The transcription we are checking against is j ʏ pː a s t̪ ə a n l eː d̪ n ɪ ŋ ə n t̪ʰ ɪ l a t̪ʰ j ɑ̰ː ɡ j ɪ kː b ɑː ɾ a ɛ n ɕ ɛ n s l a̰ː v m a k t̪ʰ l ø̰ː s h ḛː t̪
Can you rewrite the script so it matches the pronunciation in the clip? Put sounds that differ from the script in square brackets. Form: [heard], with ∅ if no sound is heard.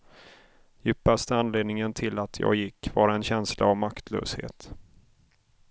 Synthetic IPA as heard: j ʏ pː a s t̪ ə a n l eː d̪ n ɪ ŋ ə n t̪ʰ ɪ l a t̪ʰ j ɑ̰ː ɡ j ɪ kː [v] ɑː ɾ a ɛ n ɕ ɛ n s l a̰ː v m a k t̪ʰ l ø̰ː s h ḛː t̪